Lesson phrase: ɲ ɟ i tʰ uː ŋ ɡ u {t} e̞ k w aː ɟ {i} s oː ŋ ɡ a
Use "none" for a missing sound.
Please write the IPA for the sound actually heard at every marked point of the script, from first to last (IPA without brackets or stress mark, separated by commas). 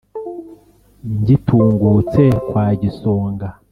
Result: t͡s, i